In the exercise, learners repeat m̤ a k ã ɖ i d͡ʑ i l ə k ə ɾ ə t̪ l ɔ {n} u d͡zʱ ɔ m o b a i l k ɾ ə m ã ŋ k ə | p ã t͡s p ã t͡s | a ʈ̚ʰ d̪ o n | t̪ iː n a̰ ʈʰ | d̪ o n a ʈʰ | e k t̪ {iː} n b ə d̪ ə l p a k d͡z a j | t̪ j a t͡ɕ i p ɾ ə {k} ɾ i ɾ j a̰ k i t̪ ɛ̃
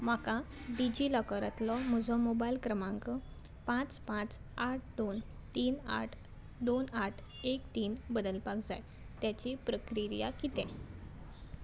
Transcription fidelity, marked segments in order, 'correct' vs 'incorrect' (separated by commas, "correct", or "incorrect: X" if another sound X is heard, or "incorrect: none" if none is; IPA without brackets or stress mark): incorrect: m, correct, correct